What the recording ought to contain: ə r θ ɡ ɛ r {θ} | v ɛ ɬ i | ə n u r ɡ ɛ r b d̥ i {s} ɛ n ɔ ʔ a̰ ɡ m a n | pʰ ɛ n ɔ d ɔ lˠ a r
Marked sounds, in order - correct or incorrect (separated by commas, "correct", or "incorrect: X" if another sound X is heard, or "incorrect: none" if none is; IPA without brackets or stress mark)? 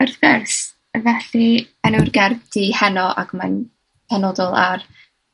incorrect: s, incorrect: h